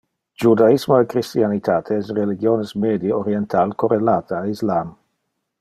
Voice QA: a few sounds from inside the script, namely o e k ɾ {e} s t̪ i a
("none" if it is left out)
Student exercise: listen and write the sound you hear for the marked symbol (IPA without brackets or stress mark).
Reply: i